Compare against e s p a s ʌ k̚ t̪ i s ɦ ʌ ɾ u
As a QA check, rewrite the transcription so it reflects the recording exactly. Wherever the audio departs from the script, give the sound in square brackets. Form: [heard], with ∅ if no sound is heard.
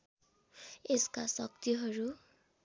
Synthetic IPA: e s [k] a s ʌ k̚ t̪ i [∅] ɦ ʌ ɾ u